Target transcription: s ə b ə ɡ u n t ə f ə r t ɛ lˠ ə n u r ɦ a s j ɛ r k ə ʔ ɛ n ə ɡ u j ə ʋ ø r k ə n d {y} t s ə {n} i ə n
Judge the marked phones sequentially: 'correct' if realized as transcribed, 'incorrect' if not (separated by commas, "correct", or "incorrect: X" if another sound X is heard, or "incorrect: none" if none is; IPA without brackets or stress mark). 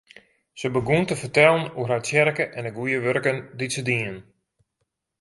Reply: incorrect: i, incorrect: d